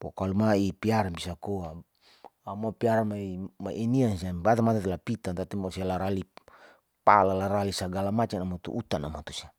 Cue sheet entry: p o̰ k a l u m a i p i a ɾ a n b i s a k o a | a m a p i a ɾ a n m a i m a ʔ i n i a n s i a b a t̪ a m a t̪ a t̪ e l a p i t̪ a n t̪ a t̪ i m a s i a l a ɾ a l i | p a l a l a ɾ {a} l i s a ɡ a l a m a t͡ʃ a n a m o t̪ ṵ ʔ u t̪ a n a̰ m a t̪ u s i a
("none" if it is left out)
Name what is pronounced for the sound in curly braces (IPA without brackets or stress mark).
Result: a